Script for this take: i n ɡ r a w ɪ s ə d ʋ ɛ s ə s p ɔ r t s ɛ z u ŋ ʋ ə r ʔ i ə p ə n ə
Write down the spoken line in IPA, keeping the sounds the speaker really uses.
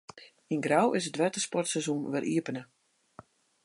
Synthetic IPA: i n ɡ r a w ɪ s ə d ʋ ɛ t ə s p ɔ r t s ɛ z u n ʋ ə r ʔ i ə p ə n ə